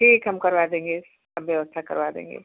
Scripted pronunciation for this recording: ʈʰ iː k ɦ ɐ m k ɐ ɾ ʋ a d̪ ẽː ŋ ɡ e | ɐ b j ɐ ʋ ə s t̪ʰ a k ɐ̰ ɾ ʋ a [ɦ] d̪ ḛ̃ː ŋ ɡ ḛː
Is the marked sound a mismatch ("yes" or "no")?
yes